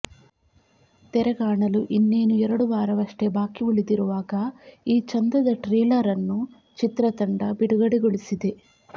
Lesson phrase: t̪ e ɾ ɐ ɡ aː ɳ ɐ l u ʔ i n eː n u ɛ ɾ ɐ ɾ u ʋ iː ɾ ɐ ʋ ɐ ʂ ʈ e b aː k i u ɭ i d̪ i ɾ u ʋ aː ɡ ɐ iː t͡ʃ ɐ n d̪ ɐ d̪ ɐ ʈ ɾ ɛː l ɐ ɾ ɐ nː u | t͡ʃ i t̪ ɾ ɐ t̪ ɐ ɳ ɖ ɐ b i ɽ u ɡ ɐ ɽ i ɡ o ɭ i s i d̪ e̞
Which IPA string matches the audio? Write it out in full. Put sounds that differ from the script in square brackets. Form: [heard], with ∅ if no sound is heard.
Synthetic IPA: t̪ [ɛ] ɾ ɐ ɡ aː ɳ ɐ l u ʔ i [nː] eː n u ɛ ɾ ɐ [ɽ] u ʋ [aː] ɾ ɐ ʋ ɐ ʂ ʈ e b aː k i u ɭ i d̪ i ɾ u ʋ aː ɡ ɐ iː t͡ʃ ɐ n d̪ ɐ d̪ ɐ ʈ ɾ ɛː l ɐ ɾ ɐ nː u | t͡ʃ i t̪ ɾ ɐ t̪ ɐ ɳ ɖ ɐ b i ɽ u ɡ ɐ ɽ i ɡ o ɭ i s i d̪ e̞